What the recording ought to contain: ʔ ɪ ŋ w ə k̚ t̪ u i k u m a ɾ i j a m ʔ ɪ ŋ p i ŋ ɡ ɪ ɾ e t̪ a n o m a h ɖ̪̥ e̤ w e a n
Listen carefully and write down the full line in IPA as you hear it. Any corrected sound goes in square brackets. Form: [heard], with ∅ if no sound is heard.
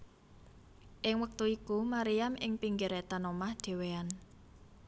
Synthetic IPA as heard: ʔ ɪ ŋ w ə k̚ t̪ u i k u m a ɾ i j a m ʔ ɪ ŋ p i ŋ ɡ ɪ ɾ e t̪ a n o m a h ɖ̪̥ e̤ w e a n